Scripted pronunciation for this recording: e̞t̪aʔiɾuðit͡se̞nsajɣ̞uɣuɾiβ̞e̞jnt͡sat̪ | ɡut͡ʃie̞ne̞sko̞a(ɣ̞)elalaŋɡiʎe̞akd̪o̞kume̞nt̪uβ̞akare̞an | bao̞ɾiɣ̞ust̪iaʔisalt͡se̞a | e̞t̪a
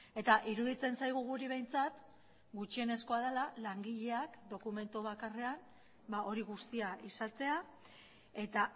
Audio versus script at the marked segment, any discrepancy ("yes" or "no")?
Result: yes